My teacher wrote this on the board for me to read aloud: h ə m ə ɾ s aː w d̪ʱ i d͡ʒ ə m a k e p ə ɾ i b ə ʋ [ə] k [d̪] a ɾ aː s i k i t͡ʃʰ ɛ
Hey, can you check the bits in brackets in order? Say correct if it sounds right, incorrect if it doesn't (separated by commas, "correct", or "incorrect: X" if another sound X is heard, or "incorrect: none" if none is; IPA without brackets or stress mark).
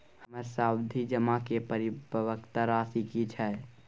correct, incorrect: t̪